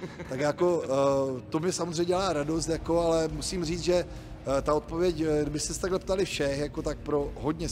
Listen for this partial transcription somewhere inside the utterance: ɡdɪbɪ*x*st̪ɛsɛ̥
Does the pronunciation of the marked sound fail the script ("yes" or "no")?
yes